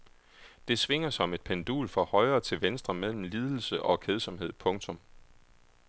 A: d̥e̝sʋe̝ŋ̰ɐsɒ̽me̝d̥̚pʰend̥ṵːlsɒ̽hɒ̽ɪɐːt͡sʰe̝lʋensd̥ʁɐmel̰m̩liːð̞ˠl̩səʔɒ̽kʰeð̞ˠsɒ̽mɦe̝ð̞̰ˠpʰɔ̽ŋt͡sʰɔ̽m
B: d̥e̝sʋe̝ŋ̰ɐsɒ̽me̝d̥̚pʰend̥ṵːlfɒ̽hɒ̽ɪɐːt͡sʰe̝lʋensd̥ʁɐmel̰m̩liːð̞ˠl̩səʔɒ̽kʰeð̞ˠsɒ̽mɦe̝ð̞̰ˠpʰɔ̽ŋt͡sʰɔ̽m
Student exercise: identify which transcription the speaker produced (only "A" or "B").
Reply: B